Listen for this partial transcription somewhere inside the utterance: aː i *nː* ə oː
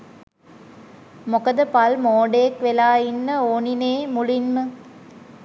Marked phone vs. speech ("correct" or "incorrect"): correct